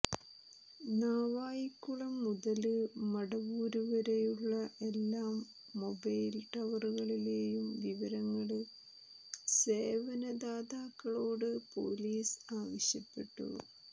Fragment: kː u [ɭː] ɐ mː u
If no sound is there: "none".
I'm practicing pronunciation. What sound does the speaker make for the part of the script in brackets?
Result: ɭ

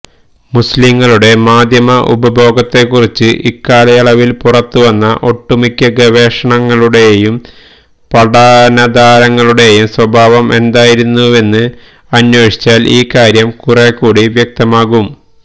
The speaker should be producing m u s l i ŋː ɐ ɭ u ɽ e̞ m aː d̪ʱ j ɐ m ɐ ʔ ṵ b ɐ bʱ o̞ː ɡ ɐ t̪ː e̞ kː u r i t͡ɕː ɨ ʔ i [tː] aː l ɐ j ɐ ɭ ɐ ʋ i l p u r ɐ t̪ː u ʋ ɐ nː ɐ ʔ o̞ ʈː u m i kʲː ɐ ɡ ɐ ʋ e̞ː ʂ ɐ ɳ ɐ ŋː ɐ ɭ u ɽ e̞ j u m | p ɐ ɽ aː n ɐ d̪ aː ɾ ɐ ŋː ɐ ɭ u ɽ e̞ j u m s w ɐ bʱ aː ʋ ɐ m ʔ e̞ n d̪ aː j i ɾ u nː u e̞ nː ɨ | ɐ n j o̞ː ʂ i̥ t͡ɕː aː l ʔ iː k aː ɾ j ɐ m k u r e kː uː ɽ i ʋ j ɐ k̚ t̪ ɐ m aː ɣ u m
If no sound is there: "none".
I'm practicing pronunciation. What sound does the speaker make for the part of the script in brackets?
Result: kː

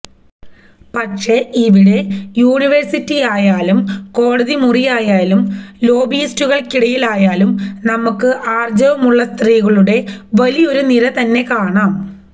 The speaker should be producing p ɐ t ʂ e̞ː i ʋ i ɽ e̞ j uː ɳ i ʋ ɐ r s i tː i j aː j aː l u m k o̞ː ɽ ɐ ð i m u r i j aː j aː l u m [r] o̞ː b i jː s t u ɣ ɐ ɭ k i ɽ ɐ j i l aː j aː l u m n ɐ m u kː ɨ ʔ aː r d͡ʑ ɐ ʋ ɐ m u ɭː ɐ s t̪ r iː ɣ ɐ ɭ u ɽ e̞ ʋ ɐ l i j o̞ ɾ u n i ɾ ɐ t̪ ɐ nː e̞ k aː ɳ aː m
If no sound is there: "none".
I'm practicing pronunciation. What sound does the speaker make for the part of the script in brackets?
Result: l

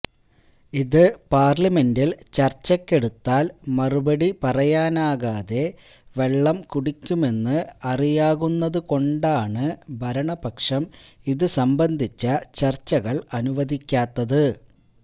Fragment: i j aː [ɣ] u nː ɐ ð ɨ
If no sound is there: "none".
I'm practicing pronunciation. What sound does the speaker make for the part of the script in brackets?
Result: ɣ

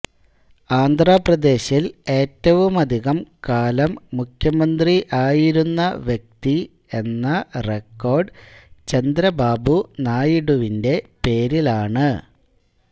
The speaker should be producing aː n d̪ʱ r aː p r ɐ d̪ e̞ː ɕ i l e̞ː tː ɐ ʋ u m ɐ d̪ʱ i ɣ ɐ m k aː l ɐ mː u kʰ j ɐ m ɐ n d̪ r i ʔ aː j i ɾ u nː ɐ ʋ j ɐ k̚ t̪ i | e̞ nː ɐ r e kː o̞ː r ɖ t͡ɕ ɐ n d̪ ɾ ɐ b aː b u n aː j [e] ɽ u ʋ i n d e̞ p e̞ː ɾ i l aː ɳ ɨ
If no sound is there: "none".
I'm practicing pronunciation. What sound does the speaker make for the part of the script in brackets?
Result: i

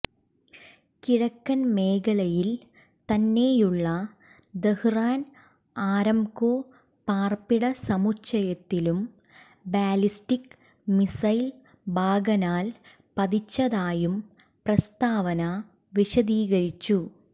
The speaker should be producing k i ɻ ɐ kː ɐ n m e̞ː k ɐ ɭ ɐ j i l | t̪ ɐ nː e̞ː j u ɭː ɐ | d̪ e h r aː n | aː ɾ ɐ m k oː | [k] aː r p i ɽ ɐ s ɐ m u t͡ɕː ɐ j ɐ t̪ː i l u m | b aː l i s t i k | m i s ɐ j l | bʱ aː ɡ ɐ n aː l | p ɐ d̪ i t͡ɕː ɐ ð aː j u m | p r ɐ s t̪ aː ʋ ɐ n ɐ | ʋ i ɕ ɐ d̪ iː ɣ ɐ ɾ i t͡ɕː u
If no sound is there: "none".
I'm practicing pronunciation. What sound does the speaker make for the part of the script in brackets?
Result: p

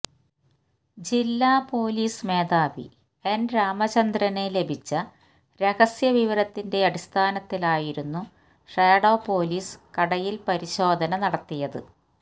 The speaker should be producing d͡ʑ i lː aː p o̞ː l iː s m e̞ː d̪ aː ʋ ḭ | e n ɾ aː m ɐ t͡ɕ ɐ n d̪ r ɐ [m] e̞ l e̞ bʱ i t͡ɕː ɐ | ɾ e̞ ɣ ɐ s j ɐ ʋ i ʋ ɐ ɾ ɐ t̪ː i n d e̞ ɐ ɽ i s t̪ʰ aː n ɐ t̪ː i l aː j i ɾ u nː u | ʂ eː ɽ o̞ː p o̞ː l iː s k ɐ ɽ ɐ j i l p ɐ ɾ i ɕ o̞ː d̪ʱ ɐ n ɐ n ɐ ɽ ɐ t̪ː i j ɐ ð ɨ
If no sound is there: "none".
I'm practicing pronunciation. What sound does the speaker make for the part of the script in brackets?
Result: n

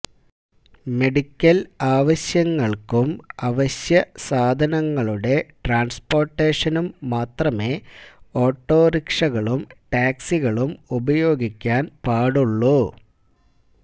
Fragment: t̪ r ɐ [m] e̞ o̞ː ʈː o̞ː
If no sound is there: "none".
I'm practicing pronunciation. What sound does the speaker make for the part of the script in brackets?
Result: m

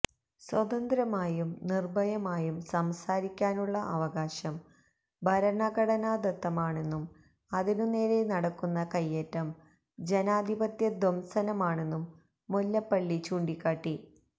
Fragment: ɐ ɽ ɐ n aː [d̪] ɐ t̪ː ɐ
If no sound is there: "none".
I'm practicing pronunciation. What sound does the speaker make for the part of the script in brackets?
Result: d̪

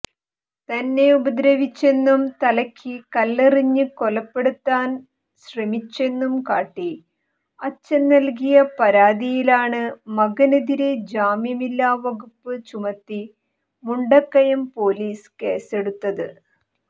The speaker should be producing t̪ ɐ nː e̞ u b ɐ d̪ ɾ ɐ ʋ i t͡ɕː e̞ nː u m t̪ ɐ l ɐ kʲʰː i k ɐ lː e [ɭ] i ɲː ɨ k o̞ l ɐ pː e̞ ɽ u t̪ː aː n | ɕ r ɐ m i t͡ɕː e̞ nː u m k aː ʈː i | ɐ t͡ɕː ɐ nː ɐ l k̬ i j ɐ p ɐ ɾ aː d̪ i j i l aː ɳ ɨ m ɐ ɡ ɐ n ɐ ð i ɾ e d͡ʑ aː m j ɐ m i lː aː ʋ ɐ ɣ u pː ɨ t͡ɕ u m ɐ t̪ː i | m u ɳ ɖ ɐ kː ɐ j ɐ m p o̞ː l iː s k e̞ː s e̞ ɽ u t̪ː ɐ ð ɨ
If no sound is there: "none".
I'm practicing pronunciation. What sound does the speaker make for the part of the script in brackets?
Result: r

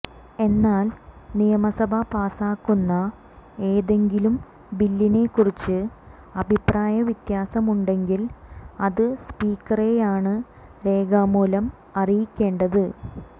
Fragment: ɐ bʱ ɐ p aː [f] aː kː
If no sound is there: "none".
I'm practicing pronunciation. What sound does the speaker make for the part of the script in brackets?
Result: s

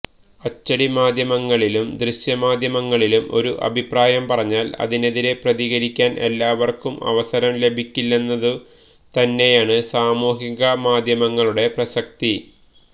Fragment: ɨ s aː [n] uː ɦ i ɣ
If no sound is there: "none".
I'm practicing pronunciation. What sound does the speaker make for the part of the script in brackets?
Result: m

